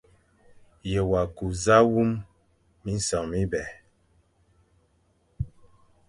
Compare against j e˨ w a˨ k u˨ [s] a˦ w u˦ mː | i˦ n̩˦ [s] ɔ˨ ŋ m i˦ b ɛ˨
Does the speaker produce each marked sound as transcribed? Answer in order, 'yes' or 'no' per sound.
no, yes

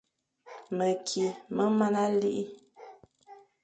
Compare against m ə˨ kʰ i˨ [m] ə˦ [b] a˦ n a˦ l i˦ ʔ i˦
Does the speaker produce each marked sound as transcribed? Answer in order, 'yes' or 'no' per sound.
yes, no

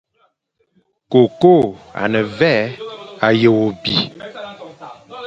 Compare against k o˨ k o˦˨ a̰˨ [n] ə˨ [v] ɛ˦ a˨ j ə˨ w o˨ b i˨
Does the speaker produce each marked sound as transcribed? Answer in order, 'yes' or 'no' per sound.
yes, yes

